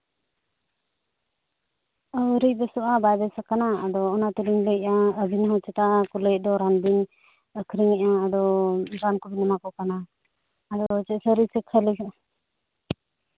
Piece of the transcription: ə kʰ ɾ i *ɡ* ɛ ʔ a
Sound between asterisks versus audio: incorrect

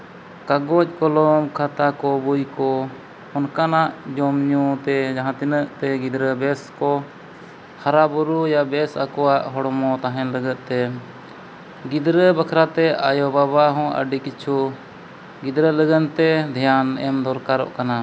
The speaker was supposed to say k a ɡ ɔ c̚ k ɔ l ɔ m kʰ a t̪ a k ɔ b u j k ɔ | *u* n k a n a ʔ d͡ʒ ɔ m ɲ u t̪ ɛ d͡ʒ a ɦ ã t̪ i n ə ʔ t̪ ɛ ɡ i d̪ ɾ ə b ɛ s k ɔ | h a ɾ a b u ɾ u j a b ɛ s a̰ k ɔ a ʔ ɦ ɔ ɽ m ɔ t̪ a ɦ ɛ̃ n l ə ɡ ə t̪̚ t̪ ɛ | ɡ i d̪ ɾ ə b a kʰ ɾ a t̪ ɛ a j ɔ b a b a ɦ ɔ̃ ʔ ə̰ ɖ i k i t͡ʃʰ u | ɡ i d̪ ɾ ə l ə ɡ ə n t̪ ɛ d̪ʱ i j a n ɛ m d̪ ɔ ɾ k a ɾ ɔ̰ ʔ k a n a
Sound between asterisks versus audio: incorrect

